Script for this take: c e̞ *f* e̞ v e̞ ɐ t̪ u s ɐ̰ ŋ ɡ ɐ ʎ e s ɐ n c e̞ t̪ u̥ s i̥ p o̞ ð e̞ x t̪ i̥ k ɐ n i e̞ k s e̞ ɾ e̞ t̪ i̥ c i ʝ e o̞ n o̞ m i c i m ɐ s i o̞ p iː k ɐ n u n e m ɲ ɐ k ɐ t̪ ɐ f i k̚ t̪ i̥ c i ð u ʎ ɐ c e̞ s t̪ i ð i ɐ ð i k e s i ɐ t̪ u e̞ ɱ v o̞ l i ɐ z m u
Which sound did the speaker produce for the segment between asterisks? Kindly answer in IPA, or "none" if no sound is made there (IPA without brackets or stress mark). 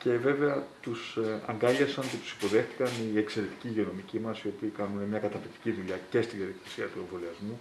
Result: v